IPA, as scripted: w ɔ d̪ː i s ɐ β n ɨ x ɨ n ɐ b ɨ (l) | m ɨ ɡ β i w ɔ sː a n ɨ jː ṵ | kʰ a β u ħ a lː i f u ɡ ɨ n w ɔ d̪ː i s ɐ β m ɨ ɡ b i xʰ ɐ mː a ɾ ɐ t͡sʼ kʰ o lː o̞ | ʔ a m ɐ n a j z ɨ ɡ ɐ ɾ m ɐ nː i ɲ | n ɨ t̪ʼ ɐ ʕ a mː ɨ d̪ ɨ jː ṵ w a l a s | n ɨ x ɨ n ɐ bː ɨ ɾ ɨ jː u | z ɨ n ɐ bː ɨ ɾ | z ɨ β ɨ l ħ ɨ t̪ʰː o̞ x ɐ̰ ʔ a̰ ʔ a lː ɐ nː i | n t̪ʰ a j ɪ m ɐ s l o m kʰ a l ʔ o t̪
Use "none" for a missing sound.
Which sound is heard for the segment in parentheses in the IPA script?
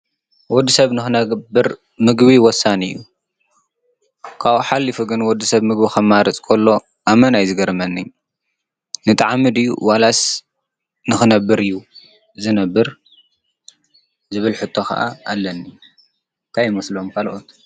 ɾ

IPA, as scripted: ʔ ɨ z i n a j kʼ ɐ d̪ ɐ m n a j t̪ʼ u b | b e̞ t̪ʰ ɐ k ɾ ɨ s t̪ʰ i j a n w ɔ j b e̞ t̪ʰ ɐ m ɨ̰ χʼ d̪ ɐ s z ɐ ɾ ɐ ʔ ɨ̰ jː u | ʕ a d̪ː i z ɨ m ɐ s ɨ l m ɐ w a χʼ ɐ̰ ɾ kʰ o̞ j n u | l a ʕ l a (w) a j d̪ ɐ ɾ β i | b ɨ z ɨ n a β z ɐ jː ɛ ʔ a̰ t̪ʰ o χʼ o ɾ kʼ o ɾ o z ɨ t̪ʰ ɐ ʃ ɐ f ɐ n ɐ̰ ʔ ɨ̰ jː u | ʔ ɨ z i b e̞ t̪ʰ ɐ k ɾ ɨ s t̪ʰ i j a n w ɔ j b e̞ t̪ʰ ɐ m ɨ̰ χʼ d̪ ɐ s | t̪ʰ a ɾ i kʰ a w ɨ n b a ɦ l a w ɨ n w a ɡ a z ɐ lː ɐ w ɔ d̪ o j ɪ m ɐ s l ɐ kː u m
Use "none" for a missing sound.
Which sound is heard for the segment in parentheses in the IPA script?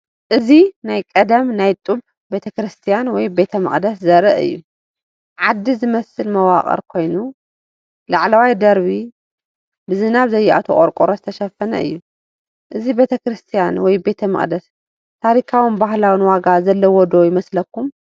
w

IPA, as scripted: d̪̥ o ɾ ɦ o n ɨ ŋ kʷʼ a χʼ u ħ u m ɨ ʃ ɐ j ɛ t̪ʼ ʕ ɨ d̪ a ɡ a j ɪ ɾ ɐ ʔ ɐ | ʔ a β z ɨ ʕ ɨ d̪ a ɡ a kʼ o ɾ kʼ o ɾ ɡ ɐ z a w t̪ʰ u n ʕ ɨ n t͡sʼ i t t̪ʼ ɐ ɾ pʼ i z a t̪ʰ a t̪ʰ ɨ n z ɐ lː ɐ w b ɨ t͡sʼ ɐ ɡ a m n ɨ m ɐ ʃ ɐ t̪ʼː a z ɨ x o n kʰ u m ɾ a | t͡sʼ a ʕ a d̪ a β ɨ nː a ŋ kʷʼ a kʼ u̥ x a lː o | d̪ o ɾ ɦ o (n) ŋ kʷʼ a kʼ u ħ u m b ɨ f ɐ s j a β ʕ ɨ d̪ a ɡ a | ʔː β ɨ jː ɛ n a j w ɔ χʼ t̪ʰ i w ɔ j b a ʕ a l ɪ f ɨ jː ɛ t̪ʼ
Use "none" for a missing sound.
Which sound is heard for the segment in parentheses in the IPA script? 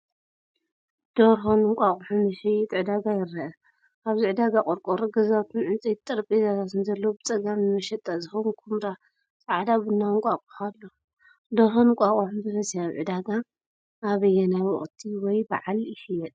n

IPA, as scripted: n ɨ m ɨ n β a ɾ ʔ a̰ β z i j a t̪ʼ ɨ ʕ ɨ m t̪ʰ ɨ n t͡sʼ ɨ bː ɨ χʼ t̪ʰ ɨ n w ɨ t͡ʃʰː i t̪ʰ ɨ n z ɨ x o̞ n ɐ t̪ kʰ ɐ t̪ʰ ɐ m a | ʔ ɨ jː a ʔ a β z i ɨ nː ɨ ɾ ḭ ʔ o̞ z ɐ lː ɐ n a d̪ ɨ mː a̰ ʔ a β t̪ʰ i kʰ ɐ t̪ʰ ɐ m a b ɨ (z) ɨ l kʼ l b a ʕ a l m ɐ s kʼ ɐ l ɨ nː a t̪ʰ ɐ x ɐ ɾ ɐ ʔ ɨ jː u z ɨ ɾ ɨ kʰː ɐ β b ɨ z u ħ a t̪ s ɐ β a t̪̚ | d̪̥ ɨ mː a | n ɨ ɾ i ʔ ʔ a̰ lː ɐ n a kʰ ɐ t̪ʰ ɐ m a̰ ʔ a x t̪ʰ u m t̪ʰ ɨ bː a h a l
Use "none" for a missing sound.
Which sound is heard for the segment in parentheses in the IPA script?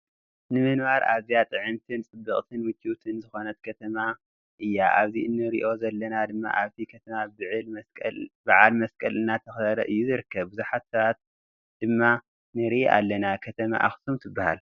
ʕ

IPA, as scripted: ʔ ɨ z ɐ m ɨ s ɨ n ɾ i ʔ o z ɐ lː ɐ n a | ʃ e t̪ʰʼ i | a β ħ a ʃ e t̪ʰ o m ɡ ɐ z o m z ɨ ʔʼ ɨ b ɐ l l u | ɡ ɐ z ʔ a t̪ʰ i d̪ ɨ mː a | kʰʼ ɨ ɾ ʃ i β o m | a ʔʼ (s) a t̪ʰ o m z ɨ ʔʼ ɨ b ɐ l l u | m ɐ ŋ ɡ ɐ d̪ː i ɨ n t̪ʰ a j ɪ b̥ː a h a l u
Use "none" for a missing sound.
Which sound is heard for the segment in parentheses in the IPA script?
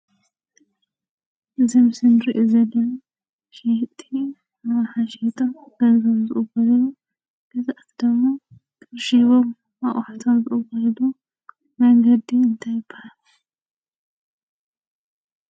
ħ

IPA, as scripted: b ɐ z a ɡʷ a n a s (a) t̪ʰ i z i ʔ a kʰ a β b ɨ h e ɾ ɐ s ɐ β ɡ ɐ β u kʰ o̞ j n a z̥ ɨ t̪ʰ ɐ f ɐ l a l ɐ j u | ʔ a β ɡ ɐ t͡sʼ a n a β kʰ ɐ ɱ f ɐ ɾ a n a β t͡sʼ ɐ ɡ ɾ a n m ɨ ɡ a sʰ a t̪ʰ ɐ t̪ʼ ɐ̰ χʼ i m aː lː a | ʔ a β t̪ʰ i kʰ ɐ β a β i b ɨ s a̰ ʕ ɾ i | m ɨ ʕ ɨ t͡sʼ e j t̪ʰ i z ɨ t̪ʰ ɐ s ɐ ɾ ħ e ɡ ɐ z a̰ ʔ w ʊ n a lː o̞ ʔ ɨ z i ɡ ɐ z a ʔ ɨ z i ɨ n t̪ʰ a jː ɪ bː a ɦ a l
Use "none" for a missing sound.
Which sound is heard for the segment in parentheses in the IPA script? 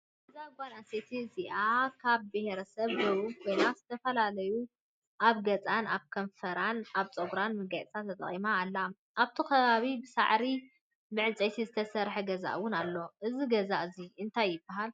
e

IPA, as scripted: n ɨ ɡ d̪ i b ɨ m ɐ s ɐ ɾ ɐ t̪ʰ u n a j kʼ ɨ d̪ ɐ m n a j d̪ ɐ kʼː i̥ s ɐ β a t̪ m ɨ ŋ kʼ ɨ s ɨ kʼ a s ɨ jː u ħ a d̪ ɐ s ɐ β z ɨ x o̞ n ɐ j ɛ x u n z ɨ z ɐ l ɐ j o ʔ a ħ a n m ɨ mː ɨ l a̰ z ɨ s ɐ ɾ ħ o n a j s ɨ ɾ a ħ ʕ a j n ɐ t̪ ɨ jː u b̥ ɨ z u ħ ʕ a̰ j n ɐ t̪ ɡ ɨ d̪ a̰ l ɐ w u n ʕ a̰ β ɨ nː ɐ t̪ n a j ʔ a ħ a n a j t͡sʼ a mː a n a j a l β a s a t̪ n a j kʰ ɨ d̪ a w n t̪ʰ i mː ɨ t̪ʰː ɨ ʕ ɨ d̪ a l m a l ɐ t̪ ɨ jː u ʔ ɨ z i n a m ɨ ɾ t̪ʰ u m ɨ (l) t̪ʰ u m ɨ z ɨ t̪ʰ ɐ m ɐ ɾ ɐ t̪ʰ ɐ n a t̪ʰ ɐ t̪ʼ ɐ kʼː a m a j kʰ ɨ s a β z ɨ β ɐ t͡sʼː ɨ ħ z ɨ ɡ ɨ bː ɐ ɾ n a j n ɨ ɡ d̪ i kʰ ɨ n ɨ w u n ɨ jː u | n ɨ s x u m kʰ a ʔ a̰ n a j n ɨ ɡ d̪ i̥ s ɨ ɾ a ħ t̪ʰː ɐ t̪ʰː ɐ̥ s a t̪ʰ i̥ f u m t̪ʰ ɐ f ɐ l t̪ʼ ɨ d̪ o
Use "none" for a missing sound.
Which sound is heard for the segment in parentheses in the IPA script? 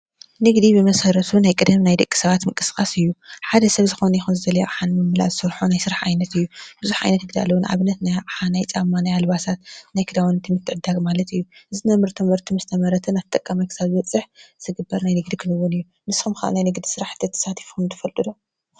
ɾ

